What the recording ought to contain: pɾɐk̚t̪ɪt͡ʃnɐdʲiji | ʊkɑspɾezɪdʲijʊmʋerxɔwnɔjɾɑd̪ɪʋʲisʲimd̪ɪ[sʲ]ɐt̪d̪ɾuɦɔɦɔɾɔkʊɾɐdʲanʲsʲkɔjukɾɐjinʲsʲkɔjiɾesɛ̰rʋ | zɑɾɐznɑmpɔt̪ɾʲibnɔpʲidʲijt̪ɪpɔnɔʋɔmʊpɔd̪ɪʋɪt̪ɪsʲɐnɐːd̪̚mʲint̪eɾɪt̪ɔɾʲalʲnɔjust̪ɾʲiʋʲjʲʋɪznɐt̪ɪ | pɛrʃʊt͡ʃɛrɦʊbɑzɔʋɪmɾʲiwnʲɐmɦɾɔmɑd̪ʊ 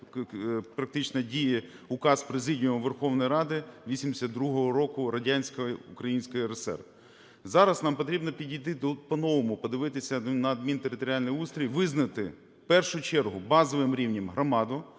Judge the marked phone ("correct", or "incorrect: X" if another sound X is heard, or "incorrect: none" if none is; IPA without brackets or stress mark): correct